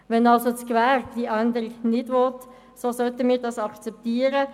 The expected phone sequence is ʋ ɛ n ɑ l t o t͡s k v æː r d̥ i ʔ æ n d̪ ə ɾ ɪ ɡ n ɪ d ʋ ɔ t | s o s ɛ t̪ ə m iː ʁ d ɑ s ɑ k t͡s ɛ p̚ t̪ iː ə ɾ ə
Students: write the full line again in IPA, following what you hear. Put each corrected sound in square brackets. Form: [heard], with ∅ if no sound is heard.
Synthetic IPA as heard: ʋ ɛ n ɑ l [s] o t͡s k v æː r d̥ i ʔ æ n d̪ ə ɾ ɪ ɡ n ɪ d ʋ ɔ t | s o s [œ] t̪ ə m iː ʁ d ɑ s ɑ k t͡s ɛ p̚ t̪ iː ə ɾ ə